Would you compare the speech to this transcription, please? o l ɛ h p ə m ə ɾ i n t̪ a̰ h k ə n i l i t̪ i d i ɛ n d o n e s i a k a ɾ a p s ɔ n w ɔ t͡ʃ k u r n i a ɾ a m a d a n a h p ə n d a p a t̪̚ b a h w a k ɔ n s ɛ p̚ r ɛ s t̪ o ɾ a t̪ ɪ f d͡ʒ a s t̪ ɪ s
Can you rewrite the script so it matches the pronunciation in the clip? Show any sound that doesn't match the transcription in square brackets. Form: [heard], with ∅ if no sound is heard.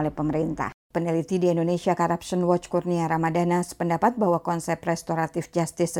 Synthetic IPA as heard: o l ɛ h p ə m ə ɾ i n t̪ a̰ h [p] ə n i l i t̪ i d i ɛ n d o n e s i a k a ɾ a p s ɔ n w ɔ t͡ʃ k u r n i a ɾ a m a d a n a [s] p ə n d a p a t̪̚ b a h w a k ɔ n s ɛ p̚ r ɛ s t̪ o ɾ a t̪ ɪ f d͡ʒ a s t̪ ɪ s